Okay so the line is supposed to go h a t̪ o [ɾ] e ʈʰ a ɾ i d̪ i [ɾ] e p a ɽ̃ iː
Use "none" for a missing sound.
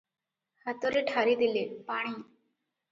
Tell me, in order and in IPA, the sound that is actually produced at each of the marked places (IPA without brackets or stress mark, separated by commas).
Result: ɾ, l